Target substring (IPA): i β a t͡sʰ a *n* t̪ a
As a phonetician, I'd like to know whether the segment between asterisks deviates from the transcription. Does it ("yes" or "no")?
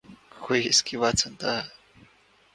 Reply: no